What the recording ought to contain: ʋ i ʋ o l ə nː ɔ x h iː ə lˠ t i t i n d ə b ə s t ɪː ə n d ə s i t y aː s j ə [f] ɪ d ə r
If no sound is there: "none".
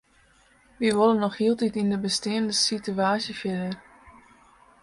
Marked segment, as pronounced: f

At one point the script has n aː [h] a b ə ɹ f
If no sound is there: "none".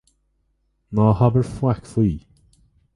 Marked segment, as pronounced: h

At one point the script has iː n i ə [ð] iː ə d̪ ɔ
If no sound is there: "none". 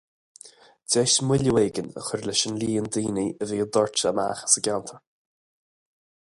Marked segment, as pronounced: v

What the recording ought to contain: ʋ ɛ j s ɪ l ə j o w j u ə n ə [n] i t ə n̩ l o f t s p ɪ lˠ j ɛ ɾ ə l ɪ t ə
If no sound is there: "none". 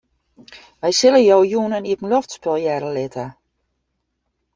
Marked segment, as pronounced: n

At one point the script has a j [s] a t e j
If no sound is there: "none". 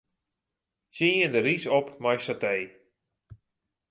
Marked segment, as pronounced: s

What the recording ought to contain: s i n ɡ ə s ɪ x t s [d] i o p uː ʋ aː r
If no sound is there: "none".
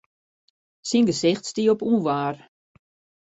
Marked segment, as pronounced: t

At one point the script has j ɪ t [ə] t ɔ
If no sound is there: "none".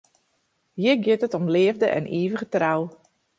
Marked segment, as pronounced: ə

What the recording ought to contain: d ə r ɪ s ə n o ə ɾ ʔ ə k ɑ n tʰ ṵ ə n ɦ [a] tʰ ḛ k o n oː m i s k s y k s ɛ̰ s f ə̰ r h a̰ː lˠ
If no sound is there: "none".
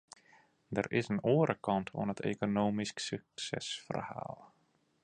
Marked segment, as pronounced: ə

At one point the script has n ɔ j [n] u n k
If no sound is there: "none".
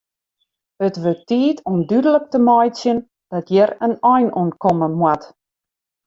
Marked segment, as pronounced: n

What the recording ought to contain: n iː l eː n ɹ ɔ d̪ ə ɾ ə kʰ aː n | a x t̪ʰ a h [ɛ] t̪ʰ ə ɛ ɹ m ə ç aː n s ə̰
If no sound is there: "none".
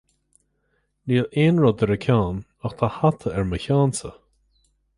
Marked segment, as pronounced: a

